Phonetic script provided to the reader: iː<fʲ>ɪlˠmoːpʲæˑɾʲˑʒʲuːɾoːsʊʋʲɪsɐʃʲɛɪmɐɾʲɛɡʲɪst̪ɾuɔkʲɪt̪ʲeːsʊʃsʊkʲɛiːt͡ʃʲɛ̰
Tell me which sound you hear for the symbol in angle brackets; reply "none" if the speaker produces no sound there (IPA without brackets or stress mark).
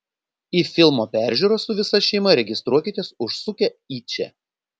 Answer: fʲ